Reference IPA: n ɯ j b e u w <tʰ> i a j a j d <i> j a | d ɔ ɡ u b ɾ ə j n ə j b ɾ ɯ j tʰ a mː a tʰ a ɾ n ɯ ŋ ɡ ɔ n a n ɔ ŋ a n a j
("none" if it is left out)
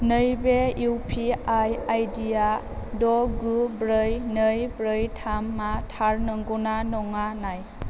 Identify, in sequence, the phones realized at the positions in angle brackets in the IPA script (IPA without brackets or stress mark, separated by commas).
pʰ, i